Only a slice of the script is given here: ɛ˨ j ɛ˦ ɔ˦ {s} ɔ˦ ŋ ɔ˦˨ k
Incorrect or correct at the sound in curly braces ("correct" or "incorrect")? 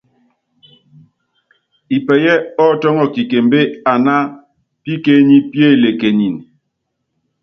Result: incorrect